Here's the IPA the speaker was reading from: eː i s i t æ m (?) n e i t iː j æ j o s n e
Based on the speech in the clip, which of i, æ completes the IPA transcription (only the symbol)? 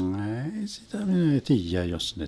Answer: i